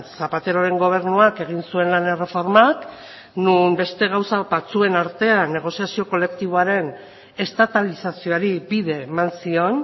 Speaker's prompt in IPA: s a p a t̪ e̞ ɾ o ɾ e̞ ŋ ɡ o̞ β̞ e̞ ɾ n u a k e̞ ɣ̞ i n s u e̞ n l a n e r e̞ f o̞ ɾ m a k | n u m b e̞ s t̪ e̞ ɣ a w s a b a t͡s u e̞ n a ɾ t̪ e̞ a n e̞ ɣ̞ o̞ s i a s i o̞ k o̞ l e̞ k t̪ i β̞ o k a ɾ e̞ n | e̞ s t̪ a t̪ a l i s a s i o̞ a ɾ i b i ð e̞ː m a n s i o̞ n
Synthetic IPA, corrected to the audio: s a p a t̪ e̞ ɾ o ɾ e̞ ŋ ɡ o̞ β̞ e̞ ɾ n u a k e̞ ɣ̞ i n s u e̞ n l a n e r e̞ f o̞ ɾ m a k | n u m b e̞ s t̪ e̞ ɣ a w s a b a t͡s u e̞ n a ɾ t̪ e̞ a n e̞ ɣ̞ o̞ s i a s i o̞ k o̞ l e̞ k t̪ i β̞ o a ɾ e̞ n | e̞ s t̪ a t̪ a l i s a s i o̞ a ɾ i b i ð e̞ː m a n s i o̞ n